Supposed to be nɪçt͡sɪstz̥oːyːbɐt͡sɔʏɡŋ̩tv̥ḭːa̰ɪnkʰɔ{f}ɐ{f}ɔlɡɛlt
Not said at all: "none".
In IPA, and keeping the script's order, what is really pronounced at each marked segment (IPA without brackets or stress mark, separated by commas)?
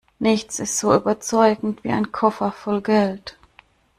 f, f